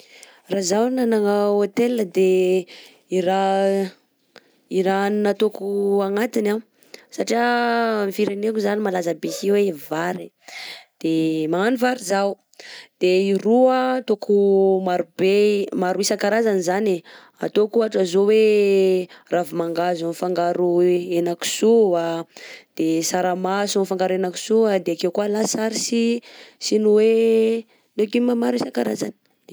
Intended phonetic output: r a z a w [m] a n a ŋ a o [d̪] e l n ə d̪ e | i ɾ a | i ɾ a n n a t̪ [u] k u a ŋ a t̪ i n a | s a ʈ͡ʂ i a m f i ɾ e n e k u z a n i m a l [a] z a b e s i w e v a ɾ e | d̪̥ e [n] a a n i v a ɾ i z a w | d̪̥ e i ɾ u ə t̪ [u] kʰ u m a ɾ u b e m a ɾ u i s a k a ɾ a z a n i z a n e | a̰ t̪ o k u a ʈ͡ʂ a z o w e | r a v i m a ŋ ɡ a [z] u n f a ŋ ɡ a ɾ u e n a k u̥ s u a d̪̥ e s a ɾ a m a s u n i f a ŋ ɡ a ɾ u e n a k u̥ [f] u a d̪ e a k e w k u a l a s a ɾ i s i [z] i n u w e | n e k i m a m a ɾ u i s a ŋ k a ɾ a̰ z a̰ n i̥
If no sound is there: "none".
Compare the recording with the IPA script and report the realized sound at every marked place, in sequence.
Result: n, t̪, o, a, m, o, z, s, s

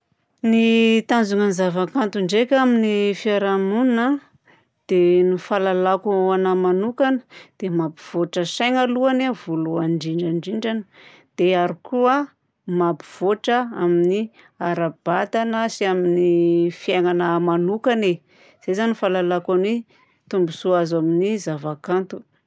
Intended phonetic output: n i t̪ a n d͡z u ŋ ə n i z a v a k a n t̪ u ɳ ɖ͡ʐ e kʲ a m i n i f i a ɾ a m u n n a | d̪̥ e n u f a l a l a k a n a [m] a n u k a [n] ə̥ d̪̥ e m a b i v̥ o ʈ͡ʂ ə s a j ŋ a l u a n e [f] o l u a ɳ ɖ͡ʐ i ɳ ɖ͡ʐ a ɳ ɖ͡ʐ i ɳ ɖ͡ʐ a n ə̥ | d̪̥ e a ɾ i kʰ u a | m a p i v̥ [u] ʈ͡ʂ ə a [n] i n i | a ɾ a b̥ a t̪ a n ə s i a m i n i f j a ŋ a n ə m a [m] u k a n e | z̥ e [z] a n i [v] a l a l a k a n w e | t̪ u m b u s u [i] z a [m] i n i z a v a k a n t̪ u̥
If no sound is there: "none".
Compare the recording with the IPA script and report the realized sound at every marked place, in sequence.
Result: m, n, v, o, m, n, z, f, a, m

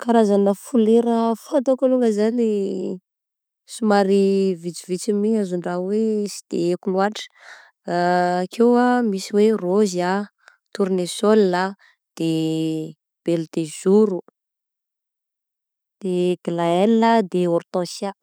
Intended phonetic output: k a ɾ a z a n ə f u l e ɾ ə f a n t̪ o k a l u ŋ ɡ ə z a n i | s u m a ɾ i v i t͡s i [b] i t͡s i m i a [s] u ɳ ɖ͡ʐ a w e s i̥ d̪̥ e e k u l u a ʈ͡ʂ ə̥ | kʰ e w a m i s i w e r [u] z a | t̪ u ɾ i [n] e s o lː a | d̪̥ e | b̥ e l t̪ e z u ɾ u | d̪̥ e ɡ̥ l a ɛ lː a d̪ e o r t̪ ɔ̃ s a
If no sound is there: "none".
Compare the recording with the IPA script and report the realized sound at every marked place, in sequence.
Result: v, z, o, n

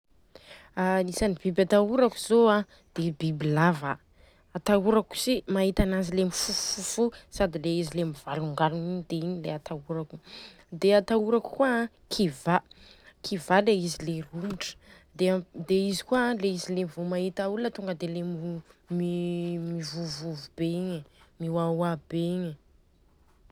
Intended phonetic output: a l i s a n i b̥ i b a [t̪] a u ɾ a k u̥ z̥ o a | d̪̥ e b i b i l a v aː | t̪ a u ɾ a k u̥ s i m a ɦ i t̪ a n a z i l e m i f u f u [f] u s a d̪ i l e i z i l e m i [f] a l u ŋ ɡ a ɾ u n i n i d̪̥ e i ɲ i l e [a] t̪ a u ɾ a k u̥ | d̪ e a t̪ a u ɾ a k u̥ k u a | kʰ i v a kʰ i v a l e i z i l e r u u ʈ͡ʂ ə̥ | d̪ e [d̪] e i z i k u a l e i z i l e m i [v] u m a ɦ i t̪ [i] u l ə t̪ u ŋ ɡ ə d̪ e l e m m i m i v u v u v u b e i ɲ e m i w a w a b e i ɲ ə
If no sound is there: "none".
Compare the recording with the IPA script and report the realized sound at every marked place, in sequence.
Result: t̪, f, v, a, d̪, v, a

